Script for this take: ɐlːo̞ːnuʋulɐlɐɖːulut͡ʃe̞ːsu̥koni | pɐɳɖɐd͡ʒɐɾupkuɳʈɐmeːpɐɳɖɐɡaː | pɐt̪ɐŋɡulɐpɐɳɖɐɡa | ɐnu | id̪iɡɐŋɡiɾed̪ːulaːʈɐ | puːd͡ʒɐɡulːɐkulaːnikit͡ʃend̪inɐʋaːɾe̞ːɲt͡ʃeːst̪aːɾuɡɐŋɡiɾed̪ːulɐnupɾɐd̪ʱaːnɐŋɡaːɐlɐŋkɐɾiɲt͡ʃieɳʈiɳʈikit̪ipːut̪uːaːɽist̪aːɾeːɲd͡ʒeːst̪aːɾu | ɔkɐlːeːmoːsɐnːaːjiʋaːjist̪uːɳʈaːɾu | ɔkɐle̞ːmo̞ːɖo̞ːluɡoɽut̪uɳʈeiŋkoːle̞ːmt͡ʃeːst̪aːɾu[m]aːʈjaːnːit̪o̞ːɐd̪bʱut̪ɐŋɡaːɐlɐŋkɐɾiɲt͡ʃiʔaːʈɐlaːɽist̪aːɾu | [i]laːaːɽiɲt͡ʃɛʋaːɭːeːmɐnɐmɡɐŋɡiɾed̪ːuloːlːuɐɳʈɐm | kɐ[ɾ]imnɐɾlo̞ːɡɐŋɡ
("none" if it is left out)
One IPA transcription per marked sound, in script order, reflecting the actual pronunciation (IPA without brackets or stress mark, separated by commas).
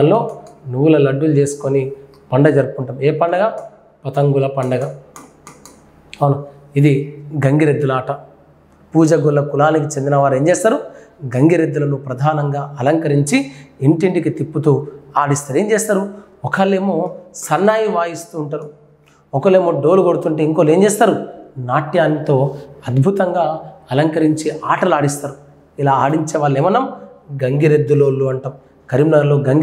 n, i, ɾ